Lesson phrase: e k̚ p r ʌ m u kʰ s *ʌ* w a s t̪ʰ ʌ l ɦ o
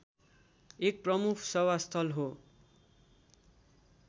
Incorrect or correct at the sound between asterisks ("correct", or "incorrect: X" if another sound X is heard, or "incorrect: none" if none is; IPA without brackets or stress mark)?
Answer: correct